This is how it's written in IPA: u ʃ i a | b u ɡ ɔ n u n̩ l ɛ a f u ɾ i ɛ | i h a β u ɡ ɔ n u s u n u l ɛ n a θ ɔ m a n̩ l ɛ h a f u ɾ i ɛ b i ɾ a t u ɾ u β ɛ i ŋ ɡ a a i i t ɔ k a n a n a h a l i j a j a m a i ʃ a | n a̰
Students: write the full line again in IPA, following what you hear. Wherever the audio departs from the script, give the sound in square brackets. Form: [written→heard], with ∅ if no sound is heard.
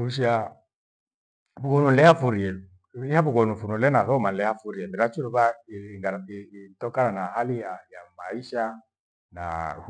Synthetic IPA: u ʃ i a | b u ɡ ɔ n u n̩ l ɛ a f u ɾ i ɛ | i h a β u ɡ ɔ n u [s→f] u n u l ɛ n a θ ɔ m a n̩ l ɛ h a f u ɾ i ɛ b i ɾ a [t→t͡ʃ] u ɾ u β [ɛ→a] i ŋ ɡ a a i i t ɔ k a n a n a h a l i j a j a m a i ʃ a | n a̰